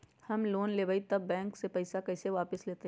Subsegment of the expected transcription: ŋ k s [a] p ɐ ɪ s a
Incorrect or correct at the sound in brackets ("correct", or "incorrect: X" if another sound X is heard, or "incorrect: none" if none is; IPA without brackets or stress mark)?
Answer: incorrect: e